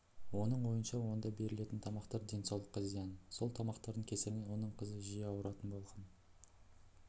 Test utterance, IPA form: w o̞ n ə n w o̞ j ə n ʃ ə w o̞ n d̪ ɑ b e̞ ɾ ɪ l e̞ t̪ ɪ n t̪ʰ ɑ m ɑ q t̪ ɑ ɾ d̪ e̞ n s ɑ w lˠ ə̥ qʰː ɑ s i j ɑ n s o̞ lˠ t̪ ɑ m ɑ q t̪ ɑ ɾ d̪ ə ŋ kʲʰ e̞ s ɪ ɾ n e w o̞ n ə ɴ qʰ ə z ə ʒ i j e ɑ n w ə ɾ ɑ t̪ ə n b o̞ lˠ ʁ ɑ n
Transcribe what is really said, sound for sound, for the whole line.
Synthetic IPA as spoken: w o̞ n ə ɴ w o̞ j ə n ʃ ɑ w o̞ n d̪ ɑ b e̞ ɾ ɪ l e̞ t̪ ɪ n t̪ʰ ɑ m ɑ q t̪ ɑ ɾ d̪ e̞ n s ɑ w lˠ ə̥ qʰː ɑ z i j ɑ n s o̞ lˠ t̪ʰ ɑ m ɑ q t̪ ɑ ɾ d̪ ə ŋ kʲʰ e̞ s ɪ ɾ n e w o̞ n ə ɴ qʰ ə z ə ʒ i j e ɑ w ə ɾ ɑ t̪ ə n b o̞ lˠ ʁ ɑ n